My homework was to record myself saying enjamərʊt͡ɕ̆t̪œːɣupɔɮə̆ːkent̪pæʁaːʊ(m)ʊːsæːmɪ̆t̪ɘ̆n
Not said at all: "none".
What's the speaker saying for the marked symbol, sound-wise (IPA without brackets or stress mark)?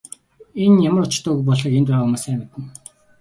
m